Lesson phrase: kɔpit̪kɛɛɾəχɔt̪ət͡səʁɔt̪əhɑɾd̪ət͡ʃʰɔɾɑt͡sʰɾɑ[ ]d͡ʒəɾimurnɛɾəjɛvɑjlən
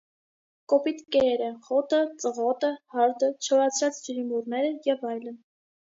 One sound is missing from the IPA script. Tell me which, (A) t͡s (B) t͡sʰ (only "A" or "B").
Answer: A